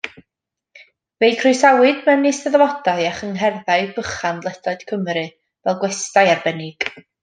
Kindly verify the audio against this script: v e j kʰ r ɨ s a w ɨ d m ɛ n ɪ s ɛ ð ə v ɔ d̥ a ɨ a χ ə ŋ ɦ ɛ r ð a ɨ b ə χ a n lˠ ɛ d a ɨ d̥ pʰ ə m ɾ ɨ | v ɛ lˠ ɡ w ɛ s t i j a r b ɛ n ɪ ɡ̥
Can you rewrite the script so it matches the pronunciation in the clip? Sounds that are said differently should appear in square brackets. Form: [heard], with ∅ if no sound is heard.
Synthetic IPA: v e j kʰ r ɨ s a w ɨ d m ɛ n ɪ s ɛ ð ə v ɔ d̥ a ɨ a χ ə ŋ ɦ ɛ r ð a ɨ b ə χ a n lˠ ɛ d a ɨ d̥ [kʰ] ə m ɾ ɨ | v ɛ lˠ ɡ w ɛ s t [a] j a r b ɛ n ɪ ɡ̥

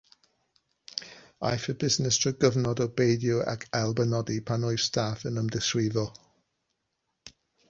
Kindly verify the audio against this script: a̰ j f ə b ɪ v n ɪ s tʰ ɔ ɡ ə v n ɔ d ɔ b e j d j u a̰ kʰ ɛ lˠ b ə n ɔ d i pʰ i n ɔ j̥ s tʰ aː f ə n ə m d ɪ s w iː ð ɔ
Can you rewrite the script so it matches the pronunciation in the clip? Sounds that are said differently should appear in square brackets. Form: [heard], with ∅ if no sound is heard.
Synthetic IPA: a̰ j f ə b ɪ [z] n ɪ s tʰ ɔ ɡ ə v n ɔ d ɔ b e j d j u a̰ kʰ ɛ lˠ b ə n ɔ d i pʰ [a] n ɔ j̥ s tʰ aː f ə n ə m d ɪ s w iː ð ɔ

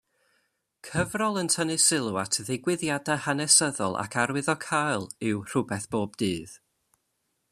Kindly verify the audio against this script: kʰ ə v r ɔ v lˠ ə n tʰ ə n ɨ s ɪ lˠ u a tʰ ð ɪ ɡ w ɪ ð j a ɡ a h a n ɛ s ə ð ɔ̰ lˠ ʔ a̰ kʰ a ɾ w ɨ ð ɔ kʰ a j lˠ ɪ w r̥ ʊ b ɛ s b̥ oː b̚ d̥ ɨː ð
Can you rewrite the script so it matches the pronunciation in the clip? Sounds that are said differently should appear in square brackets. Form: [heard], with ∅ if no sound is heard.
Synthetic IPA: kʰ ə v r ɔ [∅] lˠ ə n tʰ ə n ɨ s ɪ lˠ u a tʰ ð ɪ ɡ w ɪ ð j a [d] a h a n ɛ s ə ð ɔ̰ lˠ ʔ a̰ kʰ a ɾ w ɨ ð ɔ kʰ a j lˠ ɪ w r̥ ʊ b ɛ [θ] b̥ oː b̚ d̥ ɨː ð

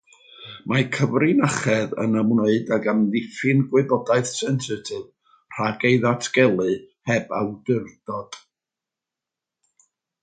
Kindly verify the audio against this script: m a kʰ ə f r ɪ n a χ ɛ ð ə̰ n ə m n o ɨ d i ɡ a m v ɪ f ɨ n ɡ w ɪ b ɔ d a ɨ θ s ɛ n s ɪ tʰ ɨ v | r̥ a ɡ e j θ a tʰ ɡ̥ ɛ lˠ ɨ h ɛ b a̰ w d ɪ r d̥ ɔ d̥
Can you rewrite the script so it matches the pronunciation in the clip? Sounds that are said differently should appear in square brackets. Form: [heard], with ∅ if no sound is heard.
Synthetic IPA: m a kʰ ə [v] r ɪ n a χ ɛ ð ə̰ n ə m n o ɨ d [a] ɡ a m [ð] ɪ f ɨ n ɡ w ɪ b ɔ d a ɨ θ s ɛ n s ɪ tʰ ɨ v | r̥ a ɡ e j [ð] a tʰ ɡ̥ ɛ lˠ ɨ h ɛ b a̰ w d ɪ r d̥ ɔ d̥

